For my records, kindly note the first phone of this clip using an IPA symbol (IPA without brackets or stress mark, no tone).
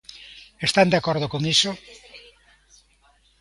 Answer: e